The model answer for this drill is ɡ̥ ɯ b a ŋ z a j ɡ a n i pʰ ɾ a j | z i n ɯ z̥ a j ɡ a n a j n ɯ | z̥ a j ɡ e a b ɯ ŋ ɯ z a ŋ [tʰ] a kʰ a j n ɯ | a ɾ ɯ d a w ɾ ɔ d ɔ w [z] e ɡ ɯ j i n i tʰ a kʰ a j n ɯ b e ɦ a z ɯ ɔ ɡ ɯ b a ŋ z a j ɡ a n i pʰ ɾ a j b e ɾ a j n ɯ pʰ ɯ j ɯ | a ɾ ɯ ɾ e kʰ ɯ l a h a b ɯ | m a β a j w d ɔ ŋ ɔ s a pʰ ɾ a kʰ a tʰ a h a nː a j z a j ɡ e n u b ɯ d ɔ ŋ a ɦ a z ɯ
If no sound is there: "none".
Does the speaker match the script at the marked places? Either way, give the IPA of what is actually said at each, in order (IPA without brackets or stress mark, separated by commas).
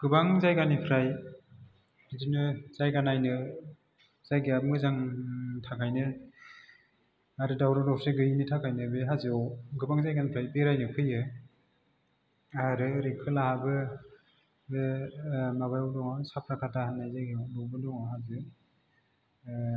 tʰ, s